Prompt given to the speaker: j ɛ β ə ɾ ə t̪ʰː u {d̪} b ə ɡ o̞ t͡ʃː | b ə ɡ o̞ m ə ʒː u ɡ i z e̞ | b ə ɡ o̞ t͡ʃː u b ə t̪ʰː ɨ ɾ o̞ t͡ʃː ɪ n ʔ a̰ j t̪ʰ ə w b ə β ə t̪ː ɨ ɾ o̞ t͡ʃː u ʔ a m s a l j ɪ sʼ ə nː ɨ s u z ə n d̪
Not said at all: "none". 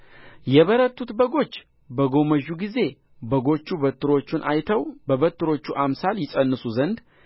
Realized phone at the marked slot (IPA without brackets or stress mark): t̪